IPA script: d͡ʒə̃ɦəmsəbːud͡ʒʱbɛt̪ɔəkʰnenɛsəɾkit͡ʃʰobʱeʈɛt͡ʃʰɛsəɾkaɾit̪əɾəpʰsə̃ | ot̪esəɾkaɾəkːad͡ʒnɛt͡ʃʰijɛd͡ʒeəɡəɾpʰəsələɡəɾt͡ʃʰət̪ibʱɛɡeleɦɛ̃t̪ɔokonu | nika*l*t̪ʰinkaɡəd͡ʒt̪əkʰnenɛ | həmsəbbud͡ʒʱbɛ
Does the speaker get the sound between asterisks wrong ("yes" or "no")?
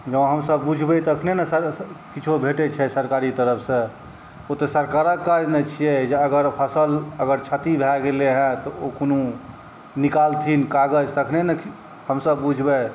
no